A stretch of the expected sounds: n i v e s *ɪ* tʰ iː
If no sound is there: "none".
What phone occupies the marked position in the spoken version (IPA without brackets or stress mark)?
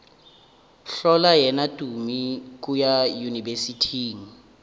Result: i